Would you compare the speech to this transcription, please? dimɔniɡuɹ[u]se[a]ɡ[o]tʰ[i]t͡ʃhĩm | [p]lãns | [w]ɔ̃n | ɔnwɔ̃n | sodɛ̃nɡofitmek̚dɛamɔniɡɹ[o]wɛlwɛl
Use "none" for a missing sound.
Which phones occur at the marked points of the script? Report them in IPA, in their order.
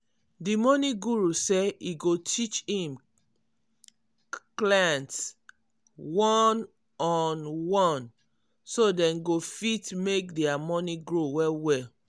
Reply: u, i, o, i, k, w, o

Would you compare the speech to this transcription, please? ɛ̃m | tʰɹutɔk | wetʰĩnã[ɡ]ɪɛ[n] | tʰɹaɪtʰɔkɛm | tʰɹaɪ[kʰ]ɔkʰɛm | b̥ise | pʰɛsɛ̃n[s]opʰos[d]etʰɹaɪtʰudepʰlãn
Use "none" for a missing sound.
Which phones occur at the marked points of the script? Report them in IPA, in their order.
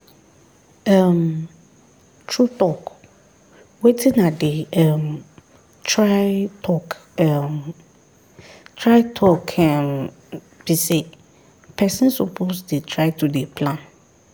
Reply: d, m, tʰ, s, d

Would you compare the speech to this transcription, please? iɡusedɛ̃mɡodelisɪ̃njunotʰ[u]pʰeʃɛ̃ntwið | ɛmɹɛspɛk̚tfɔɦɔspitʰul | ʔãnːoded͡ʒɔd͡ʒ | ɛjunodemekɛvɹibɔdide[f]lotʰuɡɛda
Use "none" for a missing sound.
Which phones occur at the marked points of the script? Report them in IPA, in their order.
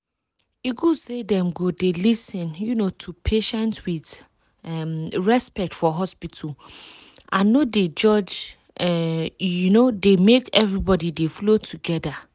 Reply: u, f

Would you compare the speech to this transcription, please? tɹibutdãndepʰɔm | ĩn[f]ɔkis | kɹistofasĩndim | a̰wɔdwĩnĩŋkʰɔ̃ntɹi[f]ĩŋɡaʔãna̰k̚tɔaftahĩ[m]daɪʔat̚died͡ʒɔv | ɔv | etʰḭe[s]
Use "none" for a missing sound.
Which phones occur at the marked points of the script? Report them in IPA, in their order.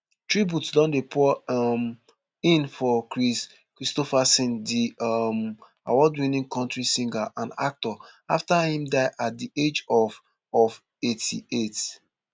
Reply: f, s, m, t

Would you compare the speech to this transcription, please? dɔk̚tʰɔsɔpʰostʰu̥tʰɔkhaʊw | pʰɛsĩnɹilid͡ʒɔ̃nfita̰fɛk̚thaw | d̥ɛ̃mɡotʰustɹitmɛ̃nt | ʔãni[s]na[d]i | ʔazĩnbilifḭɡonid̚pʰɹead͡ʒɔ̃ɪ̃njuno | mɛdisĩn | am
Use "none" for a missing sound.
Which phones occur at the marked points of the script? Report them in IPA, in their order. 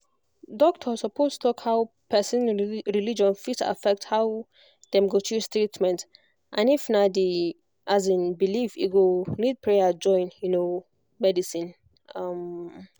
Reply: f, d

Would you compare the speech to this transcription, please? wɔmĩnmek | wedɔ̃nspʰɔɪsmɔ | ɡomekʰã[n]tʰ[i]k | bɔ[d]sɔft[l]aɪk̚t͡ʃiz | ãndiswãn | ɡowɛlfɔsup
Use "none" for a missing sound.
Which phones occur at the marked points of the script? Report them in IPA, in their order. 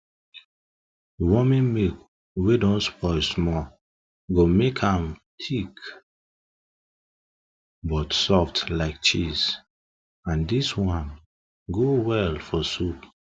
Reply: m, i, t, l

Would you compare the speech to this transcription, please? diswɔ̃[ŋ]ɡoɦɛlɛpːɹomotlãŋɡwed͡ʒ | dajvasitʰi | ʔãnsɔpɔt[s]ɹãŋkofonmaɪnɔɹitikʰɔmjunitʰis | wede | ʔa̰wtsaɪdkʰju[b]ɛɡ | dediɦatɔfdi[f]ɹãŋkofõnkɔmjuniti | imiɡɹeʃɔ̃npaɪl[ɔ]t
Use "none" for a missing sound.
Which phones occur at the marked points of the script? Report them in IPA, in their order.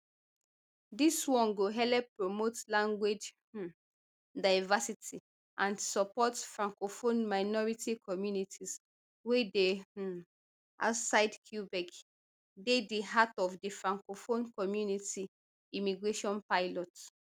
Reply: n, f, b, f, ɔ

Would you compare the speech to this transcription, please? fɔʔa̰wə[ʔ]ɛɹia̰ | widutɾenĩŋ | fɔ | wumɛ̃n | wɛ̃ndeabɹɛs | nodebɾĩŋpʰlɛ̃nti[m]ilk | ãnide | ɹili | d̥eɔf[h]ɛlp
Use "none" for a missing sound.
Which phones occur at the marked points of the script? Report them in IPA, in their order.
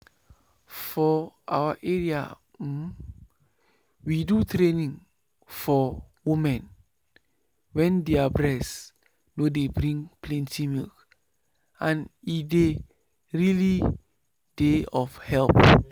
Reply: ʔ, m, h

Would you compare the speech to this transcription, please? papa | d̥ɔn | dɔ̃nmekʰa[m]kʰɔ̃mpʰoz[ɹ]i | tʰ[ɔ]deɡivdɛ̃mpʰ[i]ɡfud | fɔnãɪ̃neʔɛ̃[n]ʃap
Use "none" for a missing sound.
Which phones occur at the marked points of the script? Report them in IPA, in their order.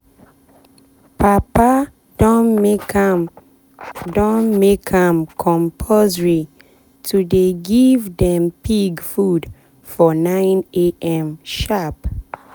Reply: m, ɹ, u, i, m

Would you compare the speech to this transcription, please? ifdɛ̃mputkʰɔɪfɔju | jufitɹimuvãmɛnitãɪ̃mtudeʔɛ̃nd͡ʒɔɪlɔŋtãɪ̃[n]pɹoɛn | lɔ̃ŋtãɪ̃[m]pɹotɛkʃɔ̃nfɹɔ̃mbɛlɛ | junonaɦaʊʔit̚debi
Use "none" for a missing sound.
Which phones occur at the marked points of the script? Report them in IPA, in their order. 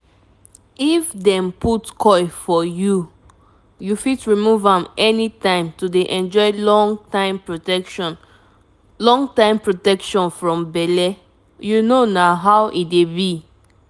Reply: m, m

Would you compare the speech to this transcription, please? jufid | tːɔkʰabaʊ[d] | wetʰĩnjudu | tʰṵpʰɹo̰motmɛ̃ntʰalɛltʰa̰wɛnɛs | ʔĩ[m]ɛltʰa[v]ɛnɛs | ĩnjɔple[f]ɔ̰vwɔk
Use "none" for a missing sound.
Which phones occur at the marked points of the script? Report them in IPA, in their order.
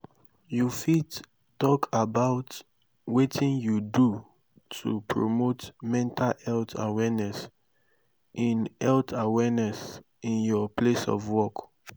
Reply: t, n, w, s

